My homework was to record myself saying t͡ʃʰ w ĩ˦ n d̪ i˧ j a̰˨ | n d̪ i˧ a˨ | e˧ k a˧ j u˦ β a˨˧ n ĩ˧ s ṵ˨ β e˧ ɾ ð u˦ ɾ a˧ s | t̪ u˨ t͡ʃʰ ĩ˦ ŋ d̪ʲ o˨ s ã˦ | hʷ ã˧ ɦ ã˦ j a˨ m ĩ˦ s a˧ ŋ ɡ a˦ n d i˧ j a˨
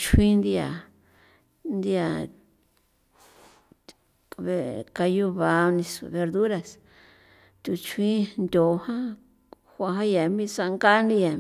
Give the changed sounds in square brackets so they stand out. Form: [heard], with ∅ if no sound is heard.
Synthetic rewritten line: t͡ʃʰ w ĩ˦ n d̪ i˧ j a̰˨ | n d̪ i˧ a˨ | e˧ k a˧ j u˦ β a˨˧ n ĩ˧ s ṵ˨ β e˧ ɾ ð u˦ ɾ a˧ s | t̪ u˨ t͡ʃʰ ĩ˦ [n] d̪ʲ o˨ [h] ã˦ | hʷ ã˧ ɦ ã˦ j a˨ m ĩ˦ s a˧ ŋ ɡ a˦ n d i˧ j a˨